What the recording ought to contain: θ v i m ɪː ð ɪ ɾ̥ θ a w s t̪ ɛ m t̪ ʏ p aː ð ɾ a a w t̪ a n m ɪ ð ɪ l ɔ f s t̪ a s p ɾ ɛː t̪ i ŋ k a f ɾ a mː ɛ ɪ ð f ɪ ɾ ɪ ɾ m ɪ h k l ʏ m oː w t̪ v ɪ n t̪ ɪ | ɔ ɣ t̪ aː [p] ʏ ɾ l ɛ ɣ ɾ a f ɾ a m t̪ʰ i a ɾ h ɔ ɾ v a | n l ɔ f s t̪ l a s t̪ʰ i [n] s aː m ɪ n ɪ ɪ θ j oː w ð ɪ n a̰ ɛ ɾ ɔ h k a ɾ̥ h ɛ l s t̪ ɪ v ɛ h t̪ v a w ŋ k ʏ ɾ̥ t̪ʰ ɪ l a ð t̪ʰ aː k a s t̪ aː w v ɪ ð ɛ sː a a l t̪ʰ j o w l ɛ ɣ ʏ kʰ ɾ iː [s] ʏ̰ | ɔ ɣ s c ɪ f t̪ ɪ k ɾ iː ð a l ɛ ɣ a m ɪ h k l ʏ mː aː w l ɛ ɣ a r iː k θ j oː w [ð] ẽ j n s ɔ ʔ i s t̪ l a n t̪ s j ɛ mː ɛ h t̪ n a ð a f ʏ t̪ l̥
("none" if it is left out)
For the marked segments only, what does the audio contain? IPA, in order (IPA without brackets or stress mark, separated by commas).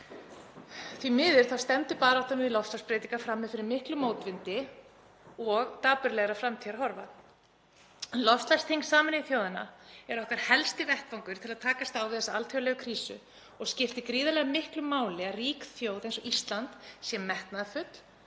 p, ŋ, s, ð